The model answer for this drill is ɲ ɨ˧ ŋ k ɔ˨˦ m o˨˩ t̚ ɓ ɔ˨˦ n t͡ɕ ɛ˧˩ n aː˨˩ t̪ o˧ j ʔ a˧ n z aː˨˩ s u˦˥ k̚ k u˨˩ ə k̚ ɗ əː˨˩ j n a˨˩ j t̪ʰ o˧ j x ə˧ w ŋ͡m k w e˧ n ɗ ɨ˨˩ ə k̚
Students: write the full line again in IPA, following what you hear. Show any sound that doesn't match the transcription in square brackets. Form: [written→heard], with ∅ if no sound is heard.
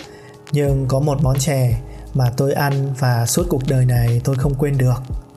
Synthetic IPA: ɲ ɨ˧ ŋ k ɔ˨˦ m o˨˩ t̚ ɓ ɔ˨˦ n t͡ɕ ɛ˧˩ [n→m] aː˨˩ t̪ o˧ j ʔ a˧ n [z→v] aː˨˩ s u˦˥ [k̚→t̚] k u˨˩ ə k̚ ɗ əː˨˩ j n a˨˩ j [t̪ʰ→t̪] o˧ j x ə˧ w ŋ͡m k w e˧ n ɗ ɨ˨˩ ə k̚